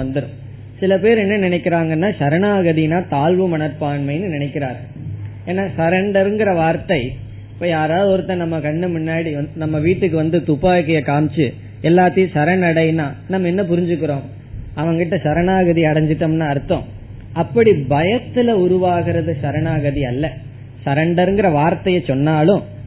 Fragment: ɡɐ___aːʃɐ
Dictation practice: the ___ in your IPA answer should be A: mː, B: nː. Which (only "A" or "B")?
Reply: B